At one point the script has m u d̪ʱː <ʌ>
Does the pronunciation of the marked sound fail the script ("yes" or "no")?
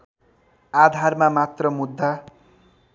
yes